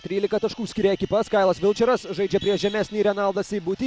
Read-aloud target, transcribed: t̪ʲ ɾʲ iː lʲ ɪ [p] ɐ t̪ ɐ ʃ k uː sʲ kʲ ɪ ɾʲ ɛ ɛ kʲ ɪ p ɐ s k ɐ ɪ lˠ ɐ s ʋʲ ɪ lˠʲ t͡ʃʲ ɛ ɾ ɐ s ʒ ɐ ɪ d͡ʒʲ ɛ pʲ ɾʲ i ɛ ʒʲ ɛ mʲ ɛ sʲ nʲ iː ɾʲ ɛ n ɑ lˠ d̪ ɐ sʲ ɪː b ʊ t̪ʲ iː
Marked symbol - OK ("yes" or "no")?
no